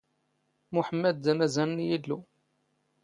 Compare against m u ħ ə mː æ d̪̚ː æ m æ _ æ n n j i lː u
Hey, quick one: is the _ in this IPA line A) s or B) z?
B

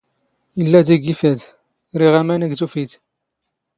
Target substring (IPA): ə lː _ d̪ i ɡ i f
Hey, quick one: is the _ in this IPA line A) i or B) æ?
B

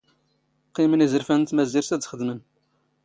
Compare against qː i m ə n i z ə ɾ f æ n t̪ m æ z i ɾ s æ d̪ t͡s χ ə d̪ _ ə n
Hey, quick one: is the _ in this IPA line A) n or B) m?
B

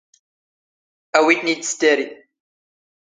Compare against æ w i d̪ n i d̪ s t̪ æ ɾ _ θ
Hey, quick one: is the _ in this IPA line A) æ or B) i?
B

